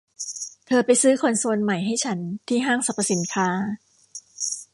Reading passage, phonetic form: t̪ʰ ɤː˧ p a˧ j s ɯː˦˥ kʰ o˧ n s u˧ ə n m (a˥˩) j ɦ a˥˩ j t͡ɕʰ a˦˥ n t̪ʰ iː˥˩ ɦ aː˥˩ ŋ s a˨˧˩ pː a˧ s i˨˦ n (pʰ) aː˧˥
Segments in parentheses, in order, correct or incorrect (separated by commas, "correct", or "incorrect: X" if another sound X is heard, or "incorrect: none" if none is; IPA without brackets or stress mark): incorrect: a˨˩, incorrect: kʰ